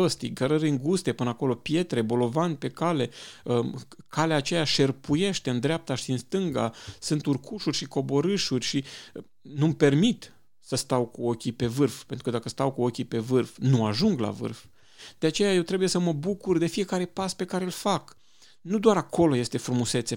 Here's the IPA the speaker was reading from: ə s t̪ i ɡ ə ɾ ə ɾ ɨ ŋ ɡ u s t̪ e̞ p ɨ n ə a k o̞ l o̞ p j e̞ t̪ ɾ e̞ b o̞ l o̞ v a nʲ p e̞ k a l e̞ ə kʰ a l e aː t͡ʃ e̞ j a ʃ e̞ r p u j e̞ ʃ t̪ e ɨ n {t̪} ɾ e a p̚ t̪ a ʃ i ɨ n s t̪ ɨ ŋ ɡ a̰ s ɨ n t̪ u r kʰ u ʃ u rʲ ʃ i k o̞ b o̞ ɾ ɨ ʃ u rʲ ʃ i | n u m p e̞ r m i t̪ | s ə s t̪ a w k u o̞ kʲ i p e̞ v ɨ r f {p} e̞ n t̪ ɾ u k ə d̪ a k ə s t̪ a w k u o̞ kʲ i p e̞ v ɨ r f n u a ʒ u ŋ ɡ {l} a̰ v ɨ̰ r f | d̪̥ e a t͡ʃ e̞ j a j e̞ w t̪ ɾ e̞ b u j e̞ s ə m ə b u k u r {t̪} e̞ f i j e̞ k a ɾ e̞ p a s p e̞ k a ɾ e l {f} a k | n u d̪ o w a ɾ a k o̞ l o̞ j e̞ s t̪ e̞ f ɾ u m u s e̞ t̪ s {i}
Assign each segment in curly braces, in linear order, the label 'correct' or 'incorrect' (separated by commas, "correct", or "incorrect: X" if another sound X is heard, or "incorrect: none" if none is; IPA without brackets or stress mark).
incorrect: d̪, correct, correct, incorrect: d̪, correct, incorrect: e